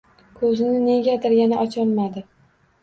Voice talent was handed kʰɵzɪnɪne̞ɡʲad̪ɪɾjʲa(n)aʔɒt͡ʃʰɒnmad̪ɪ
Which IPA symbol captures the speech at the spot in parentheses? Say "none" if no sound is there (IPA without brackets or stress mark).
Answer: n